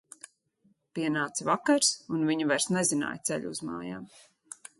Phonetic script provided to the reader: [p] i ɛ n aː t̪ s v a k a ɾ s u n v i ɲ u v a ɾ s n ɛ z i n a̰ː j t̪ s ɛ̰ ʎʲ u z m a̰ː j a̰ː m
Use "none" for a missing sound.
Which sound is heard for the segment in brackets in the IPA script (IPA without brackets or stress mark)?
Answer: p